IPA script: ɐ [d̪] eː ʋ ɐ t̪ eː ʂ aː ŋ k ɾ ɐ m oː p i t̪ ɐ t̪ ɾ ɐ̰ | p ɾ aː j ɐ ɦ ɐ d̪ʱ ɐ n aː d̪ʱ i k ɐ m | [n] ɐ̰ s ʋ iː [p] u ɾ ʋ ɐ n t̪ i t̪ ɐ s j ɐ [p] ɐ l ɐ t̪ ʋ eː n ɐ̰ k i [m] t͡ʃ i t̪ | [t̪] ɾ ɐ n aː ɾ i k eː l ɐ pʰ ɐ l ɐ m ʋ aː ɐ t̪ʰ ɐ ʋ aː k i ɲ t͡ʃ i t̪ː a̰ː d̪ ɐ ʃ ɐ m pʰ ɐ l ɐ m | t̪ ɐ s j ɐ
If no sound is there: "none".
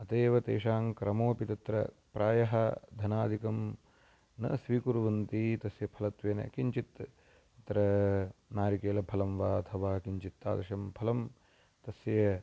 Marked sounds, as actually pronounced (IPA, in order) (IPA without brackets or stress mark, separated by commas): t̪, n, k, pʰ, ɲ, t̪